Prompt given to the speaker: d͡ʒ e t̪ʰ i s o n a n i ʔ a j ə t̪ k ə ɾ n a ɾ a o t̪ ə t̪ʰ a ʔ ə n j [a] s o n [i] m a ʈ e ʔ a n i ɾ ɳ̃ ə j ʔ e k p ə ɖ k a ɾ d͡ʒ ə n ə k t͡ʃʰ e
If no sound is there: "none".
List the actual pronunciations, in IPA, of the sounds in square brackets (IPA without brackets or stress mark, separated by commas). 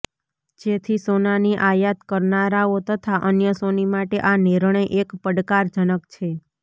ə, i